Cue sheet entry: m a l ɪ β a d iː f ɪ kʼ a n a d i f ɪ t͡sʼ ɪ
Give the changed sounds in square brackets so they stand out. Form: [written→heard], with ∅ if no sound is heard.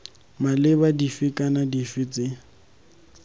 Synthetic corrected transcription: m a l ɪ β a d [iː→i] f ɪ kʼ a n a d i f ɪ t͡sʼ ɪ

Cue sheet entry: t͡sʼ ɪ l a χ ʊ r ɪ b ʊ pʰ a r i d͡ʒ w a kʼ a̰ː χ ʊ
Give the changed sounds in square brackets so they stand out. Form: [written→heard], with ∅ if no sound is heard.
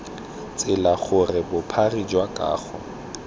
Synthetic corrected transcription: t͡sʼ ɪ l a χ ʊ r ɪ b ʊ pʰ a r i d͡ʒ w a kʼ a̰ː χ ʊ

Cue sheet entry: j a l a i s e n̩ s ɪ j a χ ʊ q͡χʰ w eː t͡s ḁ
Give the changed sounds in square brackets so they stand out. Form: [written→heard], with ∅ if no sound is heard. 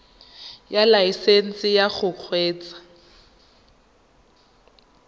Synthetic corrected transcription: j a l a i s e n̩ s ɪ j a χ ʊ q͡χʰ w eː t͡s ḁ

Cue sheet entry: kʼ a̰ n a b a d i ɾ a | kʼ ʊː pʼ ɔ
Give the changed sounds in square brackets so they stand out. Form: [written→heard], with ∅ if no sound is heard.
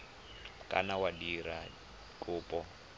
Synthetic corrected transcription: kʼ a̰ n a [b→w] a d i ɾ a | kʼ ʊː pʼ ɔ

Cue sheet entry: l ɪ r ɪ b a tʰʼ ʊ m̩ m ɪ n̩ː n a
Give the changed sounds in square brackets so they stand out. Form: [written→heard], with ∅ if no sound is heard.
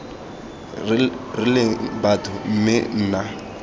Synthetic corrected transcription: [l→r] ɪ [r→l] ɪ b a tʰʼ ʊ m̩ m ɪ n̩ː n a

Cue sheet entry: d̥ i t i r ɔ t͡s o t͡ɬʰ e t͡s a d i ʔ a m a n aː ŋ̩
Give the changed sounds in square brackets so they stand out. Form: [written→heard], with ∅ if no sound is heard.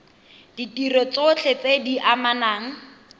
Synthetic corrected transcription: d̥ i t i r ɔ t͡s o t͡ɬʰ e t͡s [a→e] d i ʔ a m a n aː ŋ̩

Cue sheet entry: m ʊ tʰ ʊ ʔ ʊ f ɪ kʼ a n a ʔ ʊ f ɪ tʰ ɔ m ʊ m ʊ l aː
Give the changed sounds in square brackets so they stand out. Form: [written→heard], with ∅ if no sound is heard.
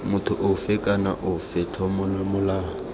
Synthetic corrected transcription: m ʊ tʰ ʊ ʔ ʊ f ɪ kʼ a n a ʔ ʊ f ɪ tʰ ɔ m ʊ m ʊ l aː

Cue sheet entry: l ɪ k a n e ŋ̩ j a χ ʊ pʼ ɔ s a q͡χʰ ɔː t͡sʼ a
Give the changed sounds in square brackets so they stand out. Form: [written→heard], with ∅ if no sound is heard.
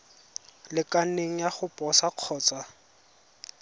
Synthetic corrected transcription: l ɪ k a n e ŋ̩ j a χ ʊ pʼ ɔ s a q͡χʰ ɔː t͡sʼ a

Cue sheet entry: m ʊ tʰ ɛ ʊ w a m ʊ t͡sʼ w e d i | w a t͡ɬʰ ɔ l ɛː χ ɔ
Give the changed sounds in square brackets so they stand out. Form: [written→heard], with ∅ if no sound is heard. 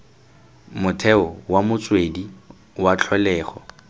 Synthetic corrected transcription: m ʊ tʰ ɛ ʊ w a m ʊ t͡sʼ w e d i | w a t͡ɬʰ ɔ l ɛː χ ɔ

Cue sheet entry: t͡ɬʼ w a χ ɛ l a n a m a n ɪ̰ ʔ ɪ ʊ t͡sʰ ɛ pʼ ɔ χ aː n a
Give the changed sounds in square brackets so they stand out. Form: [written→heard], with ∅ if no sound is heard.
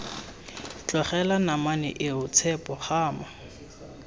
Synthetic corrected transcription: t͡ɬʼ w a χ ɛ l a n a m a n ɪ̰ ʔ ɪ ʊ t͡sʰ ɛ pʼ ɔ χ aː [n→m] a

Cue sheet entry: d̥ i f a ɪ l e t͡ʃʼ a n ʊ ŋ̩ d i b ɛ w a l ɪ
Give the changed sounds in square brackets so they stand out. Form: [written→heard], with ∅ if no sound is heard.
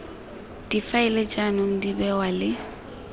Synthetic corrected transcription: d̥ i f a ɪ l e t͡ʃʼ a n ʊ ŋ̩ d i b ɛ w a l ɪ

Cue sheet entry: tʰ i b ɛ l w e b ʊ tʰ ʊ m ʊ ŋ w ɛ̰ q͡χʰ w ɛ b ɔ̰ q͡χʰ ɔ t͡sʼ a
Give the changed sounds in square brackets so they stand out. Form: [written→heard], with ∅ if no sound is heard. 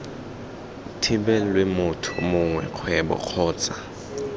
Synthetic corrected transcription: tʰ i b ɛ l w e [b→m] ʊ tʰ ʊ m ʊ ŋ w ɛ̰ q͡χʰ w ɛ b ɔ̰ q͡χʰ [ɔ→ɔː] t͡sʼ a

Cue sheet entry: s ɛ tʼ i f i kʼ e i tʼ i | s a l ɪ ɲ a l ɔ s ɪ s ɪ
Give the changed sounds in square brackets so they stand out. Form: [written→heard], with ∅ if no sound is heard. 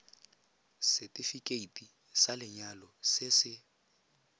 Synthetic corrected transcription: s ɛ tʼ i f i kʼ e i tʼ i | s a l ɪ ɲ a l ɔ s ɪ s ɪ

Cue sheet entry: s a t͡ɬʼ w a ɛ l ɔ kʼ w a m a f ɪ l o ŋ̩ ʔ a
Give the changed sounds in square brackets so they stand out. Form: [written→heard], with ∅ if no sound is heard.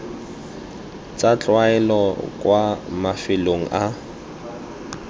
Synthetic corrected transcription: [s→t͡s] a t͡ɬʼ w a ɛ l ɔ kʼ w a m a f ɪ l o ŋ̩ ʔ a

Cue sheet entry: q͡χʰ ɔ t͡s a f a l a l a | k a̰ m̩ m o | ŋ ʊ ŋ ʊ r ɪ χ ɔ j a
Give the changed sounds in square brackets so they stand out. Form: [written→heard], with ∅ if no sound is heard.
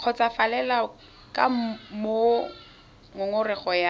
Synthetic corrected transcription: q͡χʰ ɔ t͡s a f a l [a→ɛ] l a | k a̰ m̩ m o | ŋ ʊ ŋ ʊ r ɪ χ ɔ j a

